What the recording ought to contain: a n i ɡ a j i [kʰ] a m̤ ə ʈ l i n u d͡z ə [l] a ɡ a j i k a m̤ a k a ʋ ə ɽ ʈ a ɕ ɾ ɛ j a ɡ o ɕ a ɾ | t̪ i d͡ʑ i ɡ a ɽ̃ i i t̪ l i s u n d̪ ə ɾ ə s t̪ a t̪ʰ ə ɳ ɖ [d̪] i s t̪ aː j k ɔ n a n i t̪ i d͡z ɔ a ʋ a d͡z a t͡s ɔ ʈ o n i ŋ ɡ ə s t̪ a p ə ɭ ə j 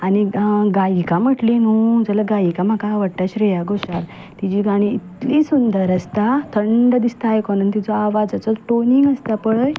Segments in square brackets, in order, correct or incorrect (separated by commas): incorrect, correct, correct